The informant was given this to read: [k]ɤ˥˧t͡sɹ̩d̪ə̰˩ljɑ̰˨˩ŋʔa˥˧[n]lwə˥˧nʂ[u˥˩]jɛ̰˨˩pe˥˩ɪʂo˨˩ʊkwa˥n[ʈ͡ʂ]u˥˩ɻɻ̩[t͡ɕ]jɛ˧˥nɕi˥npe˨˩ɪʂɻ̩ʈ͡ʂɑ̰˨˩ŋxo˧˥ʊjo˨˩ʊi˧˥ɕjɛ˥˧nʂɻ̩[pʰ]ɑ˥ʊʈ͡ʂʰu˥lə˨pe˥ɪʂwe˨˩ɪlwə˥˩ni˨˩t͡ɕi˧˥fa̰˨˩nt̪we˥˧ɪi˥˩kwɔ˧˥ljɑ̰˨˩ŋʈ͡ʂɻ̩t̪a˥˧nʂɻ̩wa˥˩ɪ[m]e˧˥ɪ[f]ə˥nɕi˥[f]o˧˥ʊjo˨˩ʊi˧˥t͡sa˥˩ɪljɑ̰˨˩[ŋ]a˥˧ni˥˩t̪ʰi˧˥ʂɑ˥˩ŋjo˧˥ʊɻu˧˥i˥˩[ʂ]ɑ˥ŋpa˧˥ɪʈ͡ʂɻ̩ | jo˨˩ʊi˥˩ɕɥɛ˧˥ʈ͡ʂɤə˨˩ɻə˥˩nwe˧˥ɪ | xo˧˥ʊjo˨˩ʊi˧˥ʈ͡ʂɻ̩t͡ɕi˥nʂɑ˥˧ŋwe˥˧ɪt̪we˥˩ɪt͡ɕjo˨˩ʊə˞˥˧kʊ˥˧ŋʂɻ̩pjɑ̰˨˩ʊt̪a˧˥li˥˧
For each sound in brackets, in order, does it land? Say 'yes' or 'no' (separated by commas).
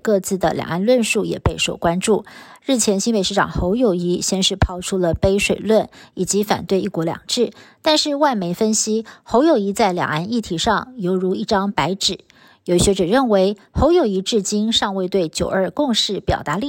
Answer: yes, yes, yes, yes, no, yes, yes, yes, no, yes, no